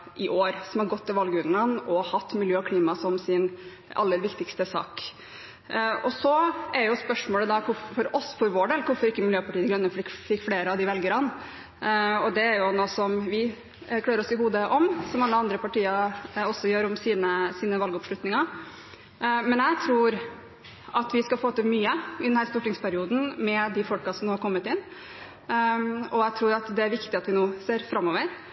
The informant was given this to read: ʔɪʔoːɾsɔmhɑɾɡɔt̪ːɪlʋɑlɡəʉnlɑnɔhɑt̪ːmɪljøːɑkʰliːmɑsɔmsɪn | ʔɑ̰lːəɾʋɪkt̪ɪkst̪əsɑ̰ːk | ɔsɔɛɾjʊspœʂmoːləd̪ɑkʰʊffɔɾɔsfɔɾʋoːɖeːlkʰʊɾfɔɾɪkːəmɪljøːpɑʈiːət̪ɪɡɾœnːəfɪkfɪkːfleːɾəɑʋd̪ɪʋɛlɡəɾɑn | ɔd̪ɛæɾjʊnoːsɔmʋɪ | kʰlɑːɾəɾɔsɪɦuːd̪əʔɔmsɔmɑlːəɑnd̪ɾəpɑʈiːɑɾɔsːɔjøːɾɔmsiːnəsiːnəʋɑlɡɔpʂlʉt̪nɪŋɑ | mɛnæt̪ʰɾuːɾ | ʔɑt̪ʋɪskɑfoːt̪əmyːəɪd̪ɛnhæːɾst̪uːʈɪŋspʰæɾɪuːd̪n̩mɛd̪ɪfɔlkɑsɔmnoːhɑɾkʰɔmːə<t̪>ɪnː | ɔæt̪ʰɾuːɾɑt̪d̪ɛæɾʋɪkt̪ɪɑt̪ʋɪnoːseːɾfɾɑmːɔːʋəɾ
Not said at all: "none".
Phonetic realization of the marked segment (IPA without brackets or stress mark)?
t̪